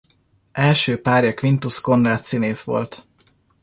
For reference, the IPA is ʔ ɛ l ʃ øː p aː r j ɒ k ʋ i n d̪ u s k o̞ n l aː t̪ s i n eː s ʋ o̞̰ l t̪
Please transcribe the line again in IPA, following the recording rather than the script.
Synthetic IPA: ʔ ɛ l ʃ øː p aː r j ɒ k ʋ i n t̪ u s k o̞ n r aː t̪ s i n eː s ʋ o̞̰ l t̪